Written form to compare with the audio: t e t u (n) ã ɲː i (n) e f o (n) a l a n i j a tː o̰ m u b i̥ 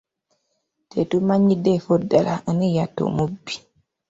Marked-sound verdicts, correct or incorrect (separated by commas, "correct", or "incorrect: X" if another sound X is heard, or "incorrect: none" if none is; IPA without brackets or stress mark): incorrect: m, incorrect: d, incorrect: d